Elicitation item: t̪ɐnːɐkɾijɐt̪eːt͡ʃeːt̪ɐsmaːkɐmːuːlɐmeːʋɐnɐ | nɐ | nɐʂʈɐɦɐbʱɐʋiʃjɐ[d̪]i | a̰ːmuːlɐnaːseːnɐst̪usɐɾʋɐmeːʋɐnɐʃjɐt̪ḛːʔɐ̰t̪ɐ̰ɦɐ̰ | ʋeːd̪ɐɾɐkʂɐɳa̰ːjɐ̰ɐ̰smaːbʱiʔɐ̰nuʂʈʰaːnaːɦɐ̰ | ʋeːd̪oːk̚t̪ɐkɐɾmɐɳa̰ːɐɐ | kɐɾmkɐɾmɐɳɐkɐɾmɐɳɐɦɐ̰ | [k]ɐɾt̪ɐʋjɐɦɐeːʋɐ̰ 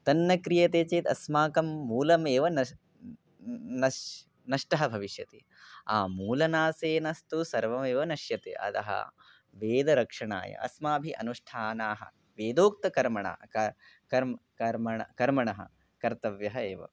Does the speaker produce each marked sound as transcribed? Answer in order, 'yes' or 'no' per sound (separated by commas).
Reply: no, yes